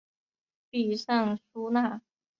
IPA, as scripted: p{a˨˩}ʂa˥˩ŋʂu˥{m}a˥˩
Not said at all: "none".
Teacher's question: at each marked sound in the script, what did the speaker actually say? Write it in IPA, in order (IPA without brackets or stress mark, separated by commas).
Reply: i˨˩, n